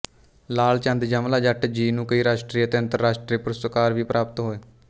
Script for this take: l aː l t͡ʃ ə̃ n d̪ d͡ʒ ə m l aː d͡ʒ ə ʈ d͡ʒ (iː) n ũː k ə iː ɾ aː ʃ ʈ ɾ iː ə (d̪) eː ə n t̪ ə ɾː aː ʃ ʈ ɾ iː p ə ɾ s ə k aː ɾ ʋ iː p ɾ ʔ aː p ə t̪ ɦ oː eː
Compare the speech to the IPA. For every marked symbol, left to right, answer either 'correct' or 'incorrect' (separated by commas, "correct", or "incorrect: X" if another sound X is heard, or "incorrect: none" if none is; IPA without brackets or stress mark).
correct, incorrect: t̪